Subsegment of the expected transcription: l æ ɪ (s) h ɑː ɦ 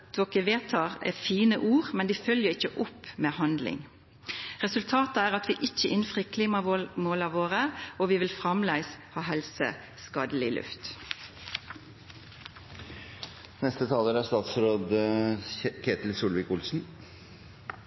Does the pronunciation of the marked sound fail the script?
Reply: no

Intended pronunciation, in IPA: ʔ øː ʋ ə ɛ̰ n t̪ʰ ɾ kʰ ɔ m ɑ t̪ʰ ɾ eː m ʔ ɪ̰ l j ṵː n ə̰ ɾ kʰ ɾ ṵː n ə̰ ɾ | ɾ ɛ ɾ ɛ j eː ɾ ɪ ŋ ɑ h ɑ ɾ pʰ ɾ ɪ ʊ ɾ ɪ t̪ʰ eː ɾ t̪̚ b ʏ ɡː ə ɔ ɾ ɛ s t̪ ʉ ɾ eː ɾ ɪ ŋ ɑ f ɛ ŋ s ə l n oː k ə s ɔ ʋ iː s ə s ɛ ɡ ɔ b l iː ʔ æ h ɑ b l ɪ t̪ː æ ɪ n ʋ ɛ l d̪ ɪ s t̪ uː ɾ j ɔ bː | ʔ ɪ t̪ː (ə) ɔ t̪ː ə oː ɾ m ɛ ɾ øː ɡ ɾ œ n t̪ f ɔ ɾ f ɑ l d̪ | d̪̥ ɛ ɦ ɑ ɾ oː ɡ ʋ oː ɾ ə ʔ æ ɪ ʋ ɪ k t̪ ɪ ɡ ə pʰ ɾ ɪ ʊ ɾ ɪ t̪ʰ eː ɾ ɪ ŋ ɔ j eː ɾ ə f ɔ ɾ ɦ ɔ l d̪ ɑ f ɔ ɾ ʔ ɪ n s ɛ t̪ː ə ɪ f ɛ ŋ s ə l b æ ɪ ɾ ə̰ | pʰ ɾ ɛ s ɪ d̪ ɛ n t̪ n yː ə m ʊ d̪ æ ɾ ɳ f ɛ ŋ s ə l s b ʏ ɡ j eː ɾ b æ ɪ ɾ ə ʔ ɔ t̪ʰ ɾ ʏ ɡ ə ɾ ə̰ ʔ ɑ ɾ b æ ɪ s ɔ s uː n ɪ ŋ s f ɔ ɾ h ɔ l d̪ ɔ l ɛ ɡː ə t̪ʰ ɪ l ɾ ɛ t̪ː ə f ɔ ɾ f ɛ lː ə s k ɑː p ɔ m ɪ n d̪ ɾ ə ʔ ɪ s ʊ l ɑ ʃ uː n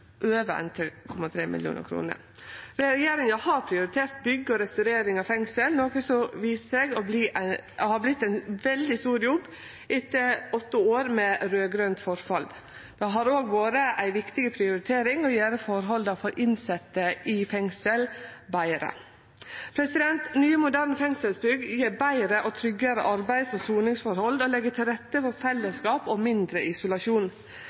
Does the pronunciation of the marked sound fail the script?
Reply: no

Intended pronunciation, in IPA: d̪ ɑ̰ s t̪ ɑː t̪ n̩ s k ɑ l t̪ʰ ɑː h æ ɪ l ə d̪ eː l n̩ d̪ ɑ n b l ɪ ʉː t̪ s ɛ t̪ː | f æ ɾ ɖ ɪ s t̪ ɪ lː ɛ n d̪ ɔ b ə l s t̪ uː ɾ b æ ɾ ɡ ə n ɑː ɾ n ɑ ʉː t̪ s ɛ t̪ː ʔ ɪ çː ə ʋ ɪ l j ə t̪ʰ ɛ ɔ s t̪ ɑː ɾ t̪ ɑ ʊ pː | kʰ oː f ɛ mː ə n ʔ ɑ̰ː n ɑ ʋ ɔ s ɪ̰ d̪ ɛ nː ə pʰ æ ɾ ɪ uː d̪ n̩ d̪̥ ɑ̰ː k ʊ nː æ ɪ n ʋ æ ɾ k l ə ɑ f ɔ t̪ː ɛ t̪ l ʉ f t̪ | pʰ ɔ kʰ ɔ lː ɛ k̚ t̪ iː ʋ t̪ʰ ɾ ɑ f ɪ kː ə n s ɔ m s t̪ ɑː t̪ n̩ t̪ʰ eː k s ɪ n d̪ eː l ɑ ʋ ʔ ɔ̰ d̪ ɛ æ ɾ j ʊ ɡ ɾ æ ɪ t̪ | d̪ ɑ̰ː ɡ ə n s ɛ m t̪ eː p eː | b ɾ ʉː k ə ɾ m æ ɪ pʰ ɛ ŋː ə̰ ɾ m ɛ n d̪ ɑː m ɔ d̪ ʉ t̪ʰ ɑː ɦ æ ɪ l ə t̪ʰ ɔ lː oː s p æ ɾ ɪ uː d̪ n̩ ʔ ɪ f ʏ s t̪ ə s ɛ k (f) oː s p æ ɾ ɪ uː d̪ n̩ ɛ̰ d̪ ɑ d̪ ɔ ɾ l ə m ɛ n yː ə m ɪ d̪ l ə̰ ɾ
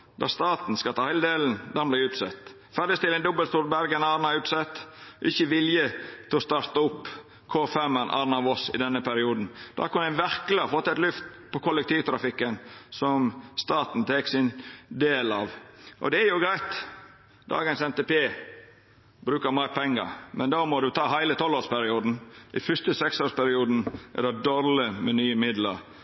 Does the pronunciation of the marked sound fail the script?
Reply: yes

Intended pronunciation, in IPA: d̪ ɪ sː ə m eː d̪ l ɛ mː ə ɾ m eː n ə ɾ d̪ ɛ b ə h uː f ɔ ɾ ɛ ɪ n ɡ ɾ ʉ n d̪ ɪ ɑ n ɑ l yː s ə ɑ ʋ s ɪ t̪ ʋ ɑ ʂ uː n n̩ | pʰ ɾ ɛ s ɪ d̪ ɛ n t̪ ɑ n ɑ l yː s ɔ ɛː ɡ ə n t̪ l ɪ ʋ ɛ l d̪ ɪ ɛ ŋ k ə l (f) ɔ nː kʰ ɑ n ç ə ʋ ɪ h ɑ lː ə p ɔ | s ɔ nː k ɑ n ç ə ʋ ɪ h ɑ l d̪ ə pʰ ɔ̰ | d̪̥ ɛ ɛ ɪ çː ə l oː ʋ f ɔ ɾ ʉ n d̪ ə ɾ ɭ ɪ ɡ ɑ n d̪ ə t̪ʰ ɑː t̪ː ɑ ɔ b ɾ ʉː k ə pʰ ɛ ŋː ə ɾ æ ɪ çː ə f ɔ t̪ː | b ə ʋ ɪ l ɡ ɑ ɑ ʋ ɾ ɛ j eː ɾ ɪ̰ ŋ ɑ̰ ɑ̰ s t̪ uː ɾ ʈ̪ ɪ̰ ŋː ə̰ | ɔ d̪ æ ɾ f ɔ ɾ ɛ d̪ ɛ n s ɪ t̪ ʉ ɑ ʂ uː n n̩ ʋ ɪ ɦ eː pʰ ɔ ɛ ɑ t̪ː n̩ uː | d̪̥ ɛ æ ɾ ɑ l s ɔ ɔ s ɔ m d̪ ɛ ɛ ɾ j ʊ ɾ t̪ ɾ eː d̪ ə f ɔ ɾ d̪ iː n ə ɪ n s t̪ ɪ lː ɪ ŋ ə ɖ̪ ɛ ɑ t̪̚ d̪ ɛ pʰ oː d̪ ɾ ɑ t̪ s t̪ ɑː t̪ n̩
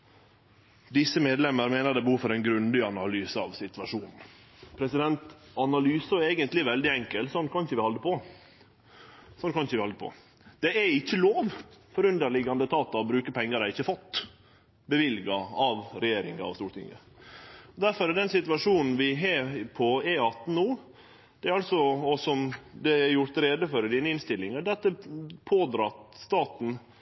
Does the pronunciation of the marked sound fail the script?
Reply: yes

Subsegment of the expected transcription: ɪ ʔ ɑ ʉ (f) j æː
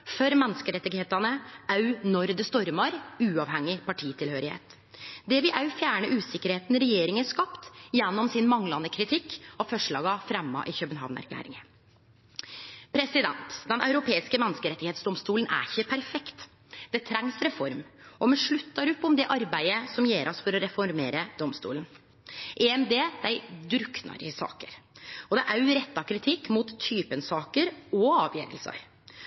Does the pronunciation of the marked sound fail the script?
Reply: no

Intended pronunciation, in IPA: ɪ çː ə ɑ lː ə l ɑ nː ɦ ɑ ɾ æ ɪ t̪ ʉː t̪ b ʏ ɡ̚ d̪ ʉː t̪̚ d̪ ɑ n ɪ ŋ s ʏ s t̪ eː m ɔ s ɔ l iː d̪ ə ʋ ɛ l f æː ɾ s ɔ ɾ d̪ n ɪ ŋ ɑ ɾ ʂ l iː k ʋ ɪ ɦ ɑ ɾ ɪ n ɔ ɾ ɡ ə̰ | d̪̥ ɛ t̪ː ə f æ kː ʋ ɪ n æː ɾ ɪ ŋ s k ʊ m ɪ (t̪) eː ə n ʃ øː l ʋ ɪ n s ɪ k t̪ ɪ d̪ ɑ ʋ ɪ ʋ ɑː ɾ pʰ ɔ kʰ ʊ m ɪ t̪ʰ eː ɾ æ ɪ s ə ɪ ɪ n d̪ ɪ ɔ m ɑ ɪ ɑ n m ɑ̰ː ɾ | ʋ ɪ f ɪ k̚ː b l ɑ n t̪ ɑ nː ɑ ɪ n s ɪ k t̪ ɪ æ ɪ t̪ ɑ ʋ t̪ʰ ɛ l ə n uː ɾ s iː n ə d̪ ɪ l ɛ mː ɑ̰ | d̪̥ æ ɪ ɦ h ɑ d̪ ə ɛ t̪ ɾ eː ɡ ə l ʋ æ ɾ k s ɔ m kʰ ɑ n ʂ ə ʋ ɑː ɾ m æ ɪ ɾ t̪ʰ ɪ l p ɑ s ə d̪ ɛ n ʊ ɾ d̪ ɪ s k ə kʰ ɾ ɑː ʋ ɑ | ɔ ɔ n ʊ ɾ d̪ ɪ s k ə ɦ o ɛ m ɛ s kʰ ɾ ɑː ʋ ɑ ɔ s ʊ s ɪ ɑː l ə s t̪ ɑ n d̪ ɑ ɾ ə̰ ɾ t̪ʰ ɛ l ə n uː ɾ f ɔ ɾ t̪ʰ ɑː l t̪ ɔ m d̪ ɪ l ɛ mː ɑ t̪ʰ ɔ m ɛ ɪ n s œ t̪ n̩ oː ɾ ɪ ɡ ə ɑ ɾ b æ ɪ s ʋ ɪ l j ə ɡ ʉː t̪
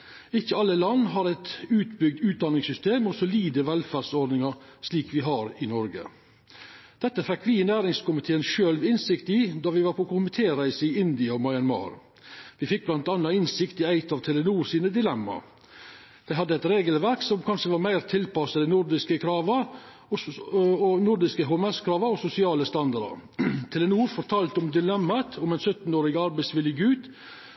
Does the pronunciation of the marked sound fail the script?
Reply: yes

